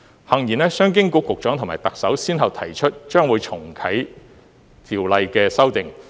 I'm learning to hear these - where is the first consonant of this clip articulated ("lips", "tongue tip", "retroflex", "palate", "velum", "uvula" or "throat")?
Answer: throat